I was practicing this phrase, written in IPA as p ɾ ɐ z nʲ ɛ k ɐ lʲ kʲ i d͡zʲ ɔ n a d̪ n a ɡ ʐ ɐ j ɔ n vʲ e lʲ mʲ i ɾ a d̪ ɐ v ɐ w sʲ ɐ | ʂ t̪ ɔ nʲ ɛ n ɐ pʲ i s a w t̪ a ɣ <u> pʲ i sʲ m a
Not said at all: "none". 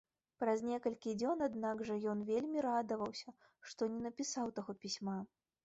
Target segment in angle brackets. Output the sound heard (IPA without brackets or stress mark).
ɔ